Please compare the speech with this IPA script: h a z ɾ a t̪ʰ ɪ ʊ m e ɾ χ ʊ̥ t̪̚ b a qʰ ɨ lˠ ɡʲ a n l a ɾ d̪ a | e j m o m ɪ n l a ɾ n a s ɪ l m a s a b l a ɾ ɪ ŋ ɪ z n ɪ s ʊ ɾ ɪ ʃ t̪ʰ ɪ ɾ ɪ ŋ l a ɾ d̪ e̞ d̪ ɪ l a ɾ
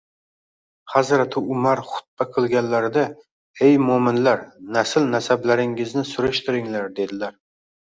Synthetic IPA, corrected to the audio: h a z ɾ a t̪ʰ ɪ ʊ m a ɾ χ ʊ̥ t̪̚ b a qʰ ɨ lˠ ɡʲ a n l a ɾ d̪ a | e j m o m ɪ n l a ɾ n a s ɪ l n a s a b l a ɾ ɪ ŋ ɪ z n ɪ s ʊ ɾ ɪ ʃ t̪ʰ ɪ ɾ ɪ ŋ l a ɾ d̪ e̞ d̪ ɪ l a ɾ